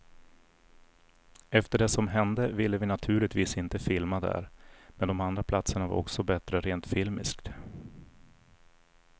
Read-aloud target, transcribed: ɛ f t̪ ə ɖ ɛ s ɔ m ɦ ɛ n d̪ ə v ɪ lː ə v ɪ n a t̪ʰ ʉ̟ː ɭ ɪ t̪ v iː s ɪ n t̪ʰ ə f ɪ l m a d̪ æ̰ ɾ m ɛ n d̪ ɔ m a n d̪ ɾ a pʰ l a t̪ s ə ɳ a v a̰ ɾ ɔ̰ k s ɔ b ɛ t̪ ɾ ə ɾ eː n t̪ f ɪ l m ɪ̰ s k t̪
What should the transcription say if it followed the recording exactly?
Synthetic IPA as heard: ɛ f t̪ ə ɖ ɛ s ɔ m ɦ ɛ n d̪ ə v ɪ lː ə v ɪ n a t̪ʰ ʉ̟ː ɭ ɪ t̪ v iː s ɪ n t̪ ə f ɪ l m a d̪ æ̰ ɾ m ɛ n d̪ ɔ m a n d̪ ɾ a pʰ l a t̪ s ə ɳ a v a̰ ɾ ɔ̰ k s ɔ b ɛ t̪ ɾ ə ɾ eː n t̪ f ɪ l m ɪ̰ s k t̪

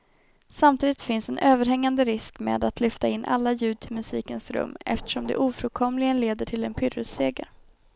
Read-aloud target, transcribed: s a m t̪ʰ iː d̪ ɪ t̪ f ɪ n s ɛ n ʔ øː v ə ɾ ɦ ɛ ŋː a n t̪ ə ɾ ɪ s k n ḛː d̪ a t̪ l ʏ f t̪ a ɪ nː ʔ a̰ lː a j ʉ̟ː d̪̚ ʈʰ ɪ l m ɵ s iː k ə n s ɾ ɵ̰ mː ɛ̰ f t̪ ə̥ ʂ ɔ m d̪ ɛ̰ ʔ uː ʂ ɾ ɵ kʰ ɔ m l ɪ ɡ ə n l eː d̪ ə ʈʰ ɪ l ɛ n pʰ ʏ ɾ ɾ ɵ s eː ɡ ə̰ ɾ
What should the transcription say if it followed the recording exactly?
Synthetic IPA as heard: s a m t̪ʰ iː d̪ ɪ t̪ f ɪ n s ɛ n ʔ øː v ə ɾ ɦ ɛ ŋː a n d̪ ə ɾ ɪ s k m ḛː d̪ a t̪ l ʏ f t̪ a ɪ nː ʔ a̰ lː a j ʉ̟ː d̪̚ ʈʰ ɪ l m ɵ s iː k ə n s ɾ ɵ̰ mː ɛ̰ f t̪ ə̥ ʂ ɔ m d̪ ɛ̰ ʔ uː f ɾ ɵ kʰ ɔ m l ɪ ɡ ə n l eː d̪ ə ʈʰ ɪ l ɛ n pʰ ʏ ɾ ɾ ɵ s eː ɡ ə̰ ɾ

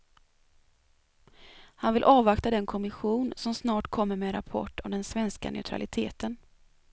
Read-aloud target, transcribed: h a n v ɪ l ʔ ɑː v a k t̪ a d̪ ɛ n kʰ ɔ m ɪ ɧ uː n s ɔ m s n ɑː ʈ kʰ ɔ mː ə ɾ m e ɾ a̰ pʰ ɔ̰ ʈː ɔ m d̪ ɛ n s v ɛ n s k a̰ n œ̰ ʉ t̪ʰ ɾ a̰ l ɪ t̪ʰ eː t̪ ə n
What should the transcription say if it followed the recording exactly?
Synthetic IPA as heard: h a n v ɪ l ʔ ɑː v a k t̪ a d̪ ɛ n kʰ ɔ m ɪ ɧ uː n s ɔ m s n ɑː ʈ kʰ ɔ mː ə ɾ m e ɾ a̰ pʰ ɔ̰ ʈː ɔ m d̪ ɛ n s v ɛ n s k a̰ n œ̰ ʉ t̪ʰ ɾ a̰ l ɪ t̪ʰ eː t̪ ə n

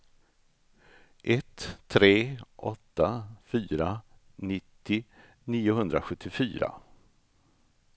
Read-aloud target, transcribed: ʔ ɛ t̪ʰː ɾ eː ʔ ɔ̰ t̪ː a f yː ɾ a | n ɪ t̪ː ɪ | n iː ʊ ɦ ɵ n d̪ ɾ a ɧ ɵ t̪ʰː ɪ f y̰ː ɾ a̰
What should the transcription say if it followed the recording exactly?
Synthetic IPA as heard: ʔ ɛ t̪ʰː ɾ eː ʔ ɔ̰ t̪ː a f yː ɾ a | n ɪ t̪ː ɪ | n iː ʊ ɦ ɵ n d̪ ɾ a ɧ ɵ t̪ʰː ɪ f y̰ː ɾ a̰

